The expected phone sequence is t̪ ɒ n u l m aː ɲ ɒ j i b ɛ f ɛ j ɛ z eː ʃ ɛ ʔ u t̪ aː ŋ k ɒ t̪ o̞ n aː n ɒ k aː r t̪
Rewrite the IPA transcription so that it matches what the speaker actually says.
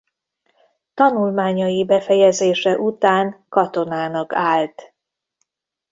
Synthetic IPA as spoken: t̪ ɒ n u l m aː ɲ ɒ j i b ɛ f ɛ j ɛ z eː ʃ ɛ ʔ u t̪ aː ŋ k ɒ t̪ o̞ n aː n ɒ k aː l t̪